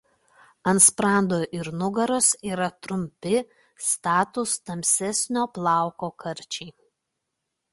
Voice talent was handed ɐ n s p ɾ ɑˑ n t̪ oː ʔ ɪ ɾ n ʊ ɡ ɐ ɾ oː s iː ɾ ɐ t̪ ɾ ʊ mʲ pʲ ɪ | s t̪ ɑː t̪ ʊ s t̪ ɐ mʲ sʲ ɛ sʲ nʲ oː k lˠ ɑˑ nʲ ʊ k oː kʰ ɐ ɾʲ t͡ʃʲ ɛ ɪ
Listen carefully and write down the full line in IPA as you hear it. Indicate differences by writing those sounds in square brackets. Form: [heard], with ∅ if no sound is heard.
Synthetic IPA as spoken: ɐ n s p ɾ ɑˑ n [d̪] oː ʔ ɪ ɾ n ʊ ɡ ɐ ɾ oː s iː ɾ ɐ t̪ ɾ ʊ mʲ pʲ ɪ | s t̪ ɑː t̪ ʊ s t̪ ɐ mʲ sʲ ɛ sʲ nʲ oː [p] lˠ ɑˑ [∅] ʊ k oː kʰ ɐ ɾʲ t͡ʃʲ ɛ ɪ

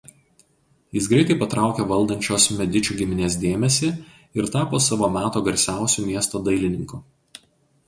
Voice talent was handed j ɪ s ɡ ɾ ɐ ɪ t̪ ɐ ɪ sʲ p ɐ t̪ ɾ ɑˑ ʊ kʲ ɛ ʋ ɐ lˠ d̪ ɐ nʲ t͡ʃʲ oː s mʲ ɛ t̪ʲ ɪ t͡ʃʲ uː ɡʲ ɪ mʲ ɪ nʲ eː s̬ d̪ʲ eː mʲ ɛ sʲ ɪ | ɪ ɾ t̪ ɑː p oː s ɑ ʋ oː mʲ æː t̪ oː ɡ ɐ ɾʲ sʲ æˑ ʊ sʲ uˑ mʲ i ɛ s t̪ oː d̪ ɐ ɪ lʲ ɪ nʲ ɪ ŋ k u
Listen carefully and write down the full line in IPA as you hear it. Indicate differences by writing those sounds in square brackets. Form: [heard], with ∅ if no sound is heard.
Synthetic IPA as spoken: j ɪ s ɡ ɾ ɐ ɪ t̪ ɐ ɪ [∅] p ɐ t̪ ɾ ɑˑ ʊ kʲ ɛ ʋ ɐ lˠ d̪ ɐ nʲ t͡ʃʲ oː s mʲ ɛ [d̪ʲ] ɪ t͡ʃʲ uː ɡʲ ɪ mʲ ɪ nʲ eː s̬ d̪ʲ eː mʲ ɛ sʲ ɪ | ɪ ɾ t̪ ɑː p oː s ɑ ʋ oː mʲ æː t̪ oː ɡ ɐ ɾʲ sʲ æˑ ʊ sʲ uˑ mʲ i ɛ s t̪ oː d̪ ɐ ɪ lʲ ɪ nʲ ɪ ŋ k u

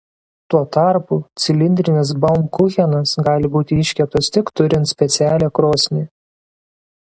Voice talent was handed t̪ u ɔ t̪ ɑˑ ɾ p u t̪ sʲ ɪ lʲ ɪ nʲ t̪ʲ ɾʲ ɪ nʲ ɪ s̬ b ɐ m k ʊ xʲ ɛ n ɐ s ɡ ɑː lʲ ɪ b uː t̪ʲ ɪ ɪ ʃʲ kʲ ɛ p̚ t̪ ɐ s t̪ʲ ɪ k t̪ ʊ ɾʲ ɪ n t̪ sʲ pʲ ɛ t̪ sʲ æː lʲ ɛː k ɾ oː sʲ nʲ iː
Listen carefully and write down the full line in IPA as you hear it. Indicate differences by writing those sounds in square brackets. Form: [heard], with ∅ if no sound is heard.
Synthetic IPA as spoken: t̪ u ɔ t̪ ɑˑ ɾ p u t̪ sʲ ɪ lʲ ɪ nʲ [d̪ʲ] ɾʲ ɪ nʲ ɪ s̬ b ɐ m k ʊ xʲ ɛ n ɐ s ɡ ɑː lʲ ɪ b uː t̪ʲ ɪ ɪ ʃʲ kʲ ɛ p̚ t̪ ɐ s t̪ʲ ɪ k t̪ ʊ ɾʲ ɪ n t̪ sʲ pʲ ɛ t̪ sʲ æː lʲ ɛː k ɾ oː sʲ nʲ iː

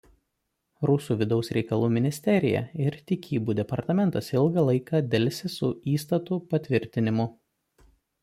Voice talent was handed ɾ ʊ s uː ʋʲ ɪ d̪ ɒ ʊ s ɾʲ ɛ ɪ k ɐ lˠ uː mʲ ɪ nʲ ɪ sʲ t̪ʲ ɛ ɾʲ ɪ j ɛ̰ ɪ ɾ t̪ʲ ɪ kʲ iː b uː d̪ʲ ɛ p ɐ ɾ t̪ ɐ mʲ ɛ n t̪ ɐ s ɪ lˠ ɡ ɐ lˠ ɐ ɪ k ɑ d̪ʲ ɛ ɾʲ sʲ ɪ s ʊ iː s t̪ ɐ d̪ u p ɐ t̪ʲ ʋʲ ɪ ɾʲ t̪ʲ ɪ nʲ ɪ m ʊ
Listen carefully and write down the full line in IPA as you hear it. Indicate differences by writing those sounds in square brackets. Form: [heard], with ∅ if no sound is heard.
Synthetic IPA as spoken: ɾ ʊ s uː ʋʲ ɪ d̪ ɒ ʊ s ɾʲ ɛ ɪ k ɐ lˠ uː mʲ ɪ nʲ ɪ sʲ t̪ʲ ɛ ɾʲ ɪ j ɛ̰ ɪ ɾ t̪ʲ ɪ kʲ iː b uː d̪ʲ ɛ p ɐ ɾ t̪ ɐ mʲ ɛ n t̪ ɐ s ɪ lˠ ɡ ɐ lˠ ɐ ɪ k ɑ d̪ʲ ɛ [lʲ] sʲ ɪ s ʊ iː s t̪ ɐ [t̪] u p ɐ t̪ʲ ʋʲ ɪ ɾʲ t̪ʲ ɪ nʲ ɪ m ʊ

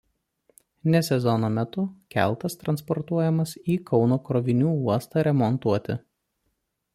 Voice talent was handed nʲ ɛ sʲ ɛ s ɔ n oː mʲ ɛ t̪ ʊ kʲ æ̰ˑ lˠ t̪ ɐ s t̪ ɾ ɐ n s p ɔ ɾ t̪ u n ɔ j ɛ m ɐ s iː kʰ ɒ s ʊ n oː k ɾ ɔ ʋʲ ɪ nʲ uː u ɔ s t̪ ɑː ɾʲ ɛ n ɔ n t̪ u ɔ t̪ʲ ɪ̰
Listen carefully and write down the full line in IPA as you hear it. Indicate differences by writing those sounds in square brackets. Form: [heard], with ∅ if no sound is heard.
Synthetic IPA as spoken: nʲ ɛ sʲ ɛ [z] ɔ n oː mʲ ɛ t̪ ʊ kʲ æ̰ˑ lˠ t̪ ɐ s t̪ ɾ ɐ n s p ɔ ɾ t̪ u [∅] ɔ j ɛ m ɐ s iː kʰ ɒ [∅] ʊ n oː k ɾ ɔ ʋʲ ɪ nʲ uː u ɔ s t̪ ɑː ɾʲ ɛ [m] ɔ n t̪ u ɔ t̪ʲ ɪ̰

